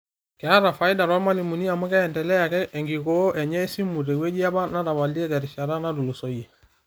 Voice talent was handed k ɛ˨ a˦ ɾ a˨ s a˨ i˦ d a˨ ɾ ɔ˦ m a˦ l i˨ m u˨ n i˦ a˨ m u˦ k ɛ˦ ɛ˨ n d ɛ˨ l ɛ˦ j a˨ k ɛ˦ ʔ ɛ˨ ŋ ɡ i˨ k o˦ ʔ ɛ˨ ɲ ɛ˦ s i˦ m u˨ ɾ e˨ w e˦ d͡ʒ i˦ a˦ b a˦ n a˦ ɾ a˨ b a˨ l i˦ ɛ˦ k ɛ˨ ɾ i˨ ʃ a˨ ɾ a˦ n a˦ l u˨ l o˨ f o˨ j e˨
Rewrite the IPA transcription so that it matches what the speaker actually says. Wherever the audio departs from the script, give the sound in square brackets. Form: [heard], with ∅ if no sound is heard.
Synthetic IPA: k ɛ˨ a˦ ɾ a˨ [f] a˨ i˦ d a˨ ɾ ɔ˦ m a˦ l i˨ m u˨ n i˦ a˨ m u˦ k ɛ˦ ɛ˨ n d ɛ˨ l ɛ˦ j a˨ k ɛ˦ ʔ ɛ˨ ŋ ɡ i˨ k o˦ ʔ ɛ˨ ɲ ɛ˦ s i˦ m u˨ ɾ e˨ w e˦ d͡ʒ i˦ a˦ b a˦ n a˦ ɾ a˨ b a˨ l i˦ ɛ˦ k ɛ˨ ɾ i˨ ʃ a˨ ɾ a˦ n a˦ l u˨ l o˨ [s] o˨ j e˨